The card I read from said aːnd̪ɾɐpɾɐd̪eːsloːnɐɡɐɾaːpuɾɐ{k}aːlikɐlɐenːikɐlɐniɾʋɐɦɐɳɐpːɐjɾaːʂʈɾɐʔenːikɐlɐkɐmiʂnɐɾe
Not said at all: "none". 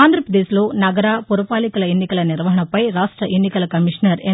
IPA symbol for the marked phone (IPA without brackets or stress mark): p